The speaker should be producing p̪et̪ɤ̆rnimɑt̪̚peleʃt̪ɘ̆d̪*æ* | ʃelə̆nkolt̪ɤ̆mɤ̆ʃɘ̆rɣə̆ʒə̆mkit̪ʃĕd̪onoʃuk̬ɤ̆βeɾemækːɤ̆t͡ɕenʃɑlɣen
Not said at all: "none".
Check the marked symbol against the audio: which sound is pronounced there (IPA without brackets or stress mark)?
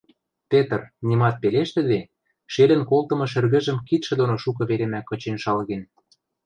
e